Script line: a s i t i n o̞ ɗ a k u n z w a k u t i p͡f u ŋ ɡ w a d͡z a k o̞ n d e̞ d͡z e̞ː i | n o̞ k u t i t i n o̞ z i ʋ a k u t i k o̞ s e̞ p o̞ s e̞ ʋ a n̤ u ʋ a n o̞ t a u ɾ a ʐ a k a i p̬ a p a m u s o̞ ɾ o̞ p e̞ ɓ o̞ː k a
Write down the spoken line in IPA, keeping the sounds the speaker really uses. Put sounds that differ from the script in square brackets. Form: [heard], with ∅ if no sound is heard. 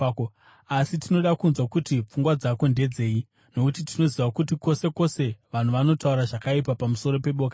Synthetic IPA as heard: a s i t i n o̞ ɗ a k u n z w a k u t i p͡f u ŋ ɡ w a d͡z a k o̞ n d e̞ d͡z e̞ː i | n o̞ k u t i t i n o̞ z i ʋ a k u t i k o̞ s e̞ [k] o̞ s e̞ ʋ a n̤ u ʋ a n o̞ t a u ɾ a ʐ a k a i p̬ a p a m u s o̞ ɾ o̞ p e̞ ɓ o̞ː k a

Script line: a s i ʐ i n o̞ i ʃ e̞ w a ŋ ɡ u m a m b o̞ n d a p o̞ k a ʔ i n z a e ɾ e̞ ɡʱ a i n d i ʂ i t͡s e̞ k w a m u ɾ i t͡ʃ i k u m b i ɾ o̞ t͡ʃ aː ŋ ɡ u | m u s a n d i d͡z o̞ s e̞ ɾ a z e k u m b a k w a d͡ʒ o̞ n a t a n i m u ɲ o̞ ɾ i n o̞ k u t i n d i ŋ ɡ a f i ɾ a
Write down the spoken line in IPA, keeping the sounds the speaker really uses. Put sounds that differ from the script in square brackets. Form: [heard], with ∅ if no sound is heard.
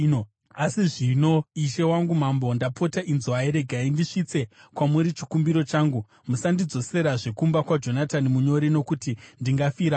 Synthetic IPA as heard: a s i ʐ i n o̞ i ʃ e̞ w a ŋ ɡ u m a m b o̞ n d a p o̞ [t] a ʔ i n z a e ɾ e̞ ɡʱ a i n d i ʂ i t͡s e̞ k w a m u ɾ i t͡ʃ i k u m b i ɾ o̞ t͡ʃ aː ŋ ɡ u | m u s a n d i d͡z o̞ s e̞ ɾ a [ʐ] e k u m b a k w a d͡ʒ o̞ n a t a n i m u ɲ o̞ ɾ i n o̞ k u t i n d i ŋ ɡ a f i ɾ a

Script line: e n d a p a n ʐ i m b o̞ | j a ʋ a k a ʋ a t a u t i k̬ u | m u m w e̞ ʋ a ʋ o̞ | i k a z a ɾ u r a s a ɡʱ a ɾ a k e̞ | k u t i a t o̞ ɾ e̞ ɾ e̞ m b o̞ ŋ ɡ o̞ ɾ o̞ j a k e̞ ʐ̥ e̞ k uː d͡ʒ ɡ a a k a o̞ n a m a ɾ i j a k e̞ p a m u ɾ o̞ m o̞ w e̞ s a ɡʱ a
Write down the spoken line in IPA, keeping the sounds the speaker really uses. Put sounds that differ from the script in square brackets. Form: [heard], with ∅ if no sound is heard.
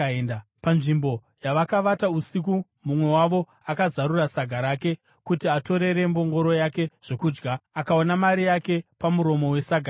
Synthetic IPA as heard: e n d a p a n ʐ i m b o̞ | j a ʋ a k a ʋ a t a u [s] i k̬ u | m u m w e̞ [w] a ʋ o̞ | [a] k a z a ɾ u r a s a ɡʱ a ɾ a k e̞ | k u t i a t o̞ ɾ e̞ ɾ e̞ m b o̞ ŋ ɡ o̞ ɾ o̞ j a k e̞ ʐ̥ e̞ k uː d͡ʒ ɡ a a k a o̞ n a m a ɾ i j a k e̞ p a m u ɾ o̞ m o̞ w e̞ s a ɡʱ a

